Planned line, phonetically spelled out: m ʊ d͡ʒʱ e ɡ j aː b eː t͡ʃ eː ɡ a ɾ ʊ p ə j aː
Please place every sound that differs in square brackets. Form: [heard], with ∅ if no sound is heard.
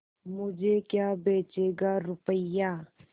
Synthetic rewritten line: m ʊ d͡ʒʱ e [k] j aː b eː t͡ʃ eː ɡ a ɾ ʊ p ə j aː